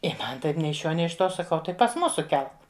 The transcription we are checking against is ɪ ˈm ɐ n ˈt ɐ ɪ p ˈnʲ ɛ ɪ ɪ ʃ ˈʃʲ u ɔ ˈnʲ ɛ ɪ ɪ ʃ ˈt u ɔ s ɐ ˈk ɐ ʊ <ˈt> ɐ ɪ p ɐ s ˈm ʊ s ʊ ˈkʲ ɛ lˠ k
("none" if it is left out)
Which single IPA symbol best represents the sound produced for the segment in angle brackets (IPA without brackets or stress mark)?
t